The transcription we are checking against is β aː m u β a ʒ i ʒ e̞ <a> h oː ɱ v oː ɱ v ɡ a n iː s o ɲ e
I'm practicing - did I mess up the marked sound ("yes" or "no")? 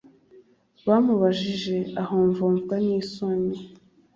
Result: no